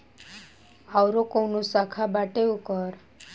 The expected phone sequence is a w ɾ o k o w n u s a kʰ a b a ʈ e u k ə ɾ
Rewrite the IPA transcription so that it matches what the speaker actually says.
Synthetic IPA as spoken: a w ɾ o k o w n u s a kʰ a b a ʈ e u k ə ɾ